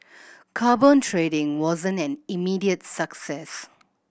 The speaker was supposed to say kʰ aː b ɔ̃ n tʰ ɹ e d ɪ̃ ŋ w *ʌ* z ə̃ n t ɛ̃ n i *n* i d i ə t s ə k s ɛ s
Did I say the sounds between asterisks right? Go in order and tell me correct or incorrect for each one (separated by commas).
incorrect, incorrect